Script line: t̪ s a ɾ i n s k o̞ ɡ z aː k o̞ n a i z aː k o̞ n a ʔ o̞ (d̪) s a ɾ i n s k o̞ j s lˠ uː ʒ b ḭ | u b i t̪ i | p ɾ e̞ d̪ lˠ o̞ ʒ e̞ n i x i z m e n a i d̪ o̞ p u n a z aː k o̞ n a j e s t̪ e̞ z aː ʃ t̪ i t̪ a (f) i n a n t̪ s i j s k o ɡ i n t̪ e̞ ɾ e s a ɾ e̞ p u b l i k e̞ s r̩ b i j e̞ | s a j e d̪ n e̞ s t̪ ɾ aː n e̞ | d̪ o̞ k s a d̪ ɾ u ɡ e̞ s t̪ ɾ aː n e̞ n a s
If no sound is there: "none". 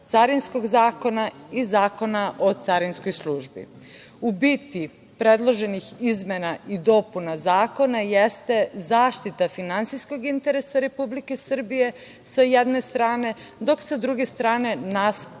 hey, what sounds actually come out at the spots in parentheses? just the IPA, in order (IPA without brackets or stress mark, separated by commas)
t̪, f